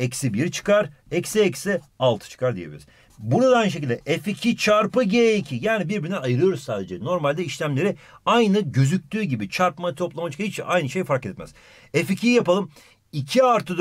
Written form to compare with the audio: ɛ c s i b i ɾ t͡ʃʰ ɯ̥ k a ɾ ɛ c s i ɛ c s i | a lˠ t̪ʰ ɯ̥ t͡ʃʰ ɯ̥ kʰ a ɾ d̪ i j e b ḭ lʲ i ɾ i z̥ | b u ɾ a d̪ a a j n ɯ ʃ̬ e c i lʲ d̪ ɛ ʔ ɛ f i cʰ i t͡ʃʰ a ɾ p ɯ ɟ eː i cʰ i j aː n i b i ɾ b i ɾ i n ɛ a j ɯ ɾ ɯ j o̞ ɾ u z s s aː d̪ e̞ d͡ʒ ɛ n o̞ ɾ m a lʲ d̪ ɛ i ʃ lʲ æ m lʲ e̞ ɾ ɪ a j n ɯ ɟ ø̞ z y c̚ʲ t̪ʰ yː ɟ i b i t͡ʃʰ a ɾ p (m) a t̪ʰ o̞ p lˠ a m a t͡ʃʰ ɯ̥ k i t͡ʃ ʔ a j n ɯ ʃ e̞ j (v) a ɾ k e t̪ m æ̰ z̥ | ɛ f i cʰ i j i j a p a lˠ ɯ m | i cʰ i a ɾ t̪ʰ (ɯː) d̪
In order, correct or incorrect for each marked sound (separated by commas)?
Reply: correct, incorrect, incorrect